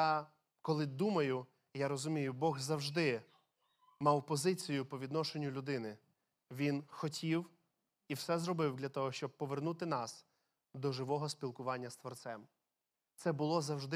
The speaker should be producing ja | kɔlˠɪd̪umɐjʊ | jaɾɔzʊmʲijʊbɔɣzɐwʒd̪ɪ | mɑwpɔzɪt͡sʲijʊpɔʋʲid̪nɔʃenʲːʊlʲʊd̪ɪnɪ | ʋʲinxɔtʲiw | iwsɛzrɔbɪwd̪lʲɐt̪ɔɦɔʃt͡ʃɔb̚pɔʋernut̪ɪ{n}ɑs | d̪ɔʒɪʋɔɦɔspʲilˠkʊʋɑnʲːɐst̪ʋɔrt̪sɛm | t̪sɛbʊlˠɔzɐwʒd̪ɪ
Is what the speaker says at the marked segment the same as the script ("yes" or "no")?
yes